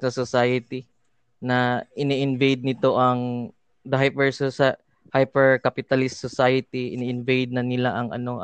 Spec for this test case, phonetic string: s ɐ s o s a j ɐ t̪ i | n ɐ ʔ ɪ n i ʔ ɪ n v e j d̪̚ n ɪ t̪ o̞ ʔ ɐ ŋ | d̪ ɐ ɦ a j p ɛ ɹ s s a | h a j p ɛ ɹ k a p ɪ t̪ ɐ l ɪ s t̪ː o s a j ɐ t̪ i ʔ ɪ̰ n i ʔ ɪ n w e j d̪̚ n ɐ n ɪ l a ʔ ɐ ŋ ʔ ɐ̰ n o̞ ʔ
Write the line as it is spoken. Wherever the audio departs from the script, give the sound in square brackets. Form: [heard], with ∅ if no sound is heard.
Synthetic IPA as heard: s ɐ s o s a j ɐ t̪ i | n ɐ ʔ ɪ n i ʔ ɪ n v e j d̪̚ n ɪ t̪ o̞ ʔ ɐ ŋ | d̪ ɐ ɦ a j p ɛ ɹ s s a | h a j p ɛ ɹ k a p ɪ t̪ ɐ l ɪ s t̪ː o s a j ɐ t̪ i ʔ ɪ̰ n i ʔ ɪ n [v] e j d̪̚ n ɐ n ɪ l a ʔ ɐ ŋ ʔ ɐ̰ n o̞ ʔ